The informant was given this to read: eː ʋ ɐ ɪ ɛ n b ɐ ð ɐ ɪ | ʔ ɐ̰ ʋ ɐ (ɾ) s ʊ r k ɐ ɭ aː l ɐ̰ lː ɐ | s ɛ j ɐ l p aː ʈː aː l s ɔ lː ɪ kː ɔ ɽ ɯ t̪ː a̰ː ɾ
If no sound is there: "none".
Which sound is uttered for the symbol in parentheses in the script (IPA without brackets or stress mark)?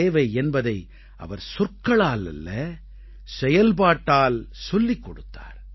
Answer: ɾ